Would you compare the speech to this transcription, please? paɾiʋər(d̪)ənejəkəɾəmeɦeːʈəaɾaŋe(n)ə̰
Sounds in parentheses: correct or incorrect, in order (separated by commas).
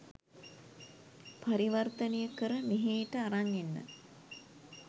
incorrect, incorrect